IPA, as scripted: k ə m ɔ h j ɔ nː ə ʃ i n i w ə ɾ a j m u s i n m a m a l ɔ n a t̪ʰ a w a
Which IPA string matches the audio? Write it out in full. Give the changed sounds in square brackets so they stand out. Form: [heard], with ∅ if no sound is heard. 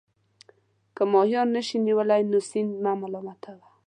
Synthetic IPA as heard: k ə m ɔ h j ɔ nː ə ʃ i n i w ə [l] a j [n] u s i n m a m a l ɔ [m] a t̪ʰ a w a